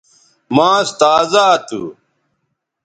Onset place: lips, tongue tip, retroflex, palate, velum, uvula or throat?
lips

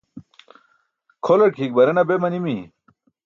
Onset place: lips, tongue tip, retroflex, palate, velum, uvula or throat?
velum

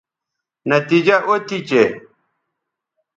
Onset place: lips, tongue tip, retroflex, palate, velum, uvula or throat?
tongue tip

